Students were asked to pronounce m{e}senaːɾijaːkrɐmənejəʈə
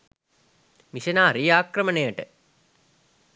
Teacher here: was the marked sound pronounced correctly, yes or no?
no